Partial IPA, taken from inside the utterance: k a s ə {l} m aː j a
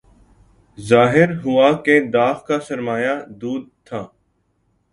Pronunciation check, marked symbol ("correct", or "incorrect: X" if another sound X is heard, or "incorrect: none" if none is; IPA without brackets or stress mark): incorrect: ɾ